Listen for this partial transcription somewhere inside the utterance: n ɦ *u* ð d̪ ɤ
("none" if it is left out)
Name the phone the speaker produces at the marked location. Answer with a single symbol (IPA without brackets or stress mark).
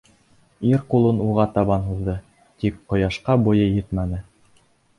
u